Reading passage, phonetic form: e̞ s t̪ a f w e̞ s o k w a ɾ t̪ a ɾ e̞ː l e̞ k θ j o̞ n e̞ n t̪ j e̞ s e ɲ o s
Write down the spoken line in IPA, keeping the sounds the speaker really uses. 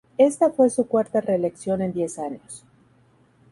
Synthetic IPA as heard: e̞ s t̪ a f w e̞ s u k w a ɾ t̪ a r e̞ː l e̞ k s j o̞ n e̞ n d̪ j e̞ s a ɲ o s

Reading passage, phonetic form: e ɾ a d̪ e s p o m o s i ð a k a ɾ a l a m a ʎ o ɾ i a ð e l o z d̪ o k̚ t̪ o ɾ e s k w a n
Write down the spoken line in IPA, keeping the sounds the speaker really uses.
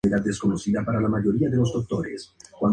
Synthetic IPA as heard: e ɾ a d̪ e s k o n o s i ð a p a ɾ a l a m a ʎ o ɾ i a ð e l o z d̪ o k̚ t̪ o ɾ e s k w a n

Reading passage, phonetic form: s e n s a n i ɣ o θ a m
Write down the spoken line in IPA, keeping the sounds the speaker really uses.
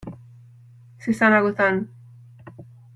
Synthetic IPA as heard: s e s a n a ɣ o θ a n

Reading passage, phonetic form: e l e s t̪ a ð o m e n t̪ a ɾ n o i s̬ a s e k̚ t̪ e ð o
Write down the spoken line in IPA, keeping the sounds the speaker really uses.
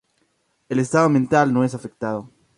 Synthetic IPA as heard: e l e s t̪ a ð o m e n t̪ a l n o e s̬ a f e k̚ t̪ a ð o

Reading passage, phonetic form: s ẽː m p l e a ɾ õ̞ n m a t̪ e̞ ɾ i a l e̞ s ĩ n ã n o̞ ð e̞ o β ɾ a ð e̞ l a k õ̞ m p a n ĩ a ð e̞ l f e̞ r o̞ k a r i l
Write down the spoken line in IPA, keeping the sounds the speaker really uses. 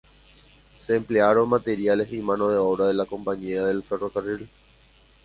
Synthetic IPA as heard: s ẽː m p l e a ɾ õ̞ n m a t̪ e̞ ɾ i a l e̞ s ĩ m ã n o̞ ð e̞ o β ɾ a ð e̞ l a k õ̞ m p a ɲ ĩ a ð e̞ l f e̞ r o̞ k a r i l

